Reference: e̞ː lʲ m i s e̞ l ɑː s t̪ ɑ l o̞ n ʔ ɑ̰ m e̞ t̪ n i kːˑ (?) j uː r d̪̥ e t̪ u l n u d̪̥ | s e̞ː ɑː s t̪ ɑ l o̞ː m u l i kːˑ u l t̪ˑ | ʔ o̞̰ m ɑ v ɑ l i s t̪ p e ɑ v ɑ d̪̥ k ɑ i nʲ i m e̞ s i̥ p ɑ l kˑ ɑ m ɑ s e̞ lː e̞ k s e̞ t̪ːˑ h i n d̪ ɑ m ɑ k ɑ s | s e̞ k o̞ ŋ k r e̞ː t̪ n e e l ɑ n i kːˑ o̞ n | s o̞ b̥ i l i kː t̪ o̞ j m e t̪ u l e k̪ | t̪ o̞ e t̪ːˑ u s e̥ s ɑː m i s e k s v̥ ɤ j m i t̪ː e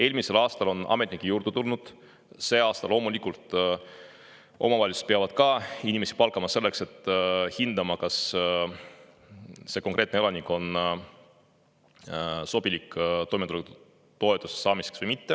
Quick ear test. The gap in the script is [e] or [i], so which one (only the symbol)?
i